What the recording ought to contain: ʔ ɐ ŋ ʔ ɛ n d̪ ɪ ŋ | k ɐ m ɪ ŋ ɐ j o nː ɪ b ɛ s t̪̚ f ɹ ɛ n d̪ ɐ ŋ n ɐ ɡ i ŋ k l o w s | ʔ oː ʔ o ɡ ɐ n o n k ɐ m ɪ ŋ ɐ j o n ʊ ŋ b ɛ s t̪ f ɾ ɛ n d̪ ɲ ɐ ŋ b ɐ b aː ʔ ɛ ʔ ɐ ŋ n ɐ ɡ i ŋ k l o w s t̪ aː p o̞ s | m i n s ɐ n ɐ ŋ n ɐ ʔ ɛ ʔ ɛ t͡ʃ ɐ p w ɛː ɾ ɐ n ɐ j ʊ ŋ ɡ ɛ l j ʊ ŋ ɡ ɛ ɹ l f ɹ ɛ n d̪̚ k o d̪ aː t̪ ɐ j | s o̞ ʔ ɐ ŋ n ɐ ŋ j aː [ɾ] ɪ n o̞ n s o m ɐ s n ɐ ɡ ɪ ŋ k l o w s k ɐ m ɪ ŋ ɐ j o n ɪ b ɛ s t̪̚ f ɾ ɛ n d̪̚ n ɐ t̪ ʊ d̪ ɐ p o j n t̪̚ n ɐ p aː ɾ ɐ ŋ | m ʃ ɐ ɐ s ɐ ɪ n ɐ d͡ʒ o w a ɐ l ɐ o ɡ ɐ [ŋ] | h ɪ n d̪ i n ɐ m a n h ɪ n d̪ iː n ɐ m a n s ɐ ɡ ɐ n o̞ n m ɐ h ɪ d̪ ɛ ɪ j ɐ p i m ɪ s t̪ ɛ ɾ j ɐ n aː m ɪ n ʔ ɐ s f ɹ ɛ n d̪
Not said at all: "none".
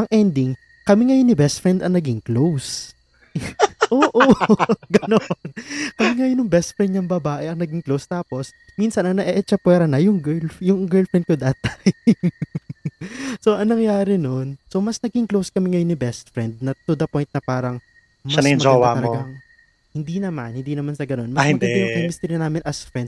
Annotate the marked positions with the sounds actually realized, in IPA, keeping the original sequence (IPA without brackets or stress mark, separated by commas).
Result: ɾ, ŋ